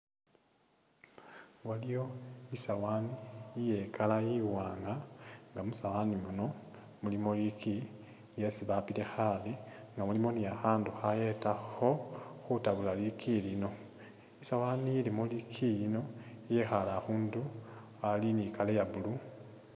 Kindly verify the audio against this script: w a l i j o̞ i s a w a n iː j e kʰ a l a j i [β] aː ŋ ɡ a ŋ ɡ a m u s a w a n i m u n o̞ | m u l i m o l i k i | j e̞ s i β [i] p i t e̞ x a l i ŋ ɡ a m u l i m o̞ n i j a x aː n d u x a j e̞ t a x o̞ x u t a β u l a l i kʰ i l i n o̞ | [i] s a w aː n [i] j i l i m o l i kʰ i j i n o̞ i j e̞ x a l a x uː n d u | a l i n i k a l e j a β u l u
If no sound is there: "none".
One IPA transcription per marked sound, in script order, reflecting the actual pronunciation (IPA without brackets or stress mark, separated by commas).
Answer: w, a, i, i